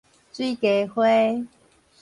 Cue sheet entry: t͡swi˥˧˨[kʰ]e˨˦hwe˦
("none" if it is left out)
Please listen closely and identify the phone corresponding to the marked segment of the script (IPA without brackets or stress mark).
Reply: k